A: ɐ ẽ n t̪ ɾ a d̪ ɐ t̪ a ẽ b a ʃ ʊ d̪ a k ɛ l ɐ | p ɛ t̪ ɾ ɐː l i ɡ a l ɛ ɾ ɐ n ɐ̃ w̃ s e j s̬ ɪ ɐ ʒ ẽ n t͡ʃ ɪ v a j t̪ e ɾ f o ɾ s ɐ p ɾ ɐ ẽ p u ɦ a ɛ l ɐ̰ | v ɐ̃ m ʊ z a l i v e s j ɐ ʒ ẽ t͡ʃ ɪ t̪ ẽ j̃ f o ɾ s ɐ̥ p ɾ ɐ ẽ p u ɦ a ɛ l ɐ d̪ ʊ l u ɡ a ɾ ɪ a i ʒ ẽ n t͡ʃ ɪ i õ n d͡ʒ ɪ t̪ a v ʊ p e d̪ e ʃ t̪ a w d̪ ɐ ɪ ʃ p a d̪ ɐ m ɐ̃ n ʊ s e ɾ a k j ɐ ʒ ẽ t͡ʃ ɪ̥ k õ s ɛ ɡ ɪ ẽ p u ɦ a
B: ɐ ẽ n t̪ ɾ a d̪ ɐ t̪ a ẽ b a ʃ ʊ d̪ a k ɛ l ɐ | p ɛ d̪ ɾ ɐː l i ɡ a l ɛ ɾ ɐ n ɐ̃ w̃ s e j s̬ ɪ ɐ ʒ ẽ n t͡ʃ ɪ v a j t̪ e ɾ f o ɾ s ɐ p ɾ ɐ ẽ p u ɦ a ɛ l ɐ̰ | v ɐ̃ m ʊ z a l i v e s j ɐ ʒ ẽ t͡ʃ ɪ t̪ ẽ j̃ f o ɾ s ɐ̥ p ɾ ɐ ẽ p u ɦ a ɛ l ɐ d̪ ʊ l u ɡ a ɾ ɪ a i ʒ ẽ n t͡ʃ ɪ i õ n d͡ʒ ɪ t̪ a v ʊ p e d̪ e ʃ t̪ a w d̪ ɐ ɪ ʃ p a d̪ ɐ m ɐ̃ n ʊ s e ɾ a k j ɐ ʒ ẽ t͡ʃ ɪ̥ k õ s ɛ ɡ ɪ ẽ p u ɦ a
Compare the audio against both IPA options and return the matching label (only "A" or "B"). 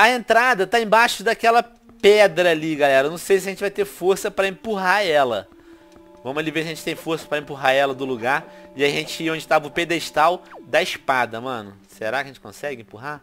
B